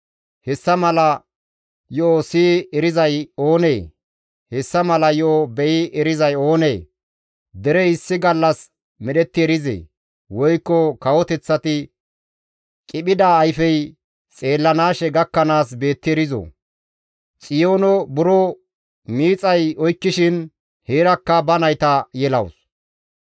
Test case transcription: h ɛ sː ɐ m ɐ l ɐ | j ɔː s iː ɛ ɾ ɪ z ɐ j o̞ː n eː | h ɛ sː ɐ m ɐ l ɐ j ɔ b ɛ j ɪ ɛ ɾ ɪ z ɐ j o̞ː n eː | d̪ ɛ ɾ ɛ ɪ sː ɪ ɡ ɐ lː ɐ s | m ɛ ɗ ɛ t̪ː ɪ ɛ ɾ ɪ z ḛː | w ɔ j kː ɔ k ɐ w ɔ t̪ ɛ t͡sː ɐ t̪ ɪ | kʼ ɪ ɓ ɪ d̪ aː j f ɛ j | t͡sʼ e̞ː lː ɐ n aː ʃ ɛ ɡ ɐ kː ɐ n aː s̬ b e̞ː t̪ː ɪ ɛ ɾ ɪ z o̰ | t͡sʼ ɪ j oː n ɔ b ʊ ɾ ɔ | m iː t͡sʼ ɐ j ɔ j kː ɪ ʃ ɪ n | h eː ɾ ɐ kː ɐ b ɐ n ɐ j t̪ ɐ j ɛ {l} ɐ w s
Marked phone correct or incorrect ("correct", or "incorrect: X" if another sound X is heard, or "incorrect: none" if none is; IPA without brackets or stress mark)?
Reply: correct